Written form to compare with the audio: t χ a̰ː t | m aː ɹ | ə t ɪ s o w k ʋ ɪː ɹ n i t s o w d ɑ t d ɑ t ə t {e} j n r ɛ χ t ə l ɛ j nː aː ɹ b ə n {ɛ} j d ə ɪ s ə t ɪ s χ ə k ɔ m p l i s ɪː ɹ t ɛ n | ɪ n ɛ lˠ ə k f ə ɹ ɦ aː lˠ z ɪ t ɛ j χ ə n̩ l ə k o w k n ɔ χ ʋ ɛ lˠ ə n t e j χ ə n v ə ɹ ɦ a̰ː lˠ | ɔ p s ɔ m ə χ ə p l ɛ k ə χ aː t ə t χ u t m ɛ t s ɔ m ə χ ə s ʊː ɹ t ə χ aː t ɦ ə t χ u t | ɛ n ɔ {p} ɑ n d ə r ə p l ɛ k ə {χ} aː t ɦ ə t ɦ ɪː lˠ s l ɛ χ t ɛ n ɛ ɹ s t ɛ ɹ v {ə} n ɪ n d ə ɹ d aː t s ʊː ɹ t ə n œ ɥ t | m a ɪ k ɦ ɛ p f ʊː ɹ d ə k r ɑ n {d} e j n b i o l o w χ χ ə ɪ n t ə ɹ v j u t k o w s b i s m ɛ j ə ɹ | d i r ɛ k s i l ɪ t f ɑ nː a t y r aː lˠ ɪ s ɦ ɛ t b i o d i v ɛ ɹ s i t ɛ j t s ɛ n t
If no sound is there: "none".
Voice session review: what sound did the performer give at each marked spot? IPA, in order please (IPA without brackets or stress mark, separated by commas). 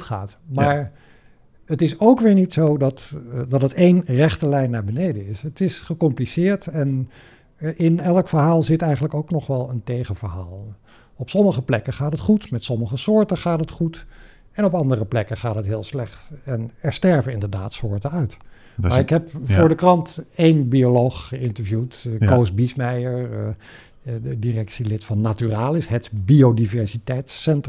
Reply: e, e, p, χ, ə, t